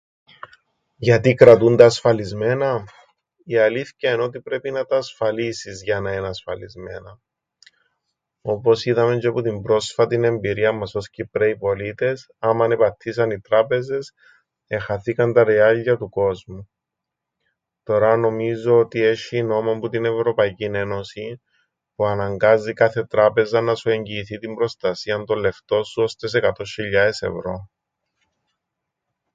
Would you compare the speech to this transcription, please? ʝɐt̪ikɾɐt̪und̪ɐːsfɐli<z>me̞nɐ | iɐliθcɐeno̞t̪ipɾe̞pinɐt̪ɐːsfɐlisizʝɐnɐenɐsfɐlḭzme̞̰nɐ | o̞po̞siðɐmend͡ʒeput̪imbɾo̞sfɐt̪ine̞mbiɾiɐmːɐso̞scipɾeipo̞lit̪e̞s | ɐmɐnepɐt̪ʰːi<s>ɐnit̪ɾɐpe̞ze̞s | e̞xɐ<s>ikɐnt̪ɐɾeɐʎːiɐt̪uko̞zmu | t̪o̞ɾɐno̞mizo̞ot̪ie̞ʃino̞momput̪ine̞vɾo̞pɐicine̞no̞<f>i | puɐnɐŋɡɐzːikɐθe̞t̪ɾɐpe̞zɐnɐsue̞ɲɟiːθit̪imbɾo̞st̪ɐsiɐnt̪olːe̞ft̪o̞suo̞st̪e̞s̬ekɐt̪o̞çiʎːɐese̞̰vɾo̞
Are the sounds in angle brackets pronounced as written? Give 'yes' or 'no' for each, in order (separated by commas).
yes, yes, no, no